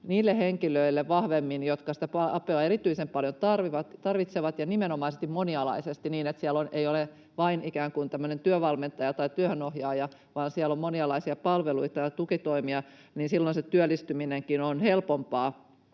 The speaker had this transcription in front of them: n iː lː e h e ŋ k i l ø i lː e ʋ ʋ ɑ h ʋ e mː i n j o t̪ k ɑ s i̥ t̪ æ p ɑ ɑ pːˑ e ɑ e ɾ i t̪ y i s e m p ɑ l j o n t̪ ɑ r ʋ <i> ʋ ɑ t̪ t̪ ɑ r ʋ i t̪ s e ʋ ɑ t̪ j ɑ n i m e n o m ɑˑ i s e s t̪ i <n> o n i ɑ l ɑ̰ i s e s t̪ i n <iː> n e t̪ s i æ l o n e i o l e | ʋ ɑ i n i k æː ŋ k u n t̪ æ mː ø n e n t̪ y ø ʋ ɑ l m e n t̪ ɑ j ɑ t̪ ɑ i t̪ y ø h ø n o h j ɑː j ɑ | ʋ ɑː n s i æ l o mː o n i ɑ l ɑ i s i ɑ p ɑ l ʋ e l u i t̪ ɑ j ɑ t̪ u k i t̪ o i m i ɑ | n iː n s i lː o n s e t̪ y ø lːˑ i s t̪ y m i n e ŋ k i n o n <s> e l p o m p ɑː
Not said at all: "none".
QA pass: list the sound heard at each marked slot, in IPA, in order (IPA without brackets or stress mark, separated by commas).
i, m, iː, h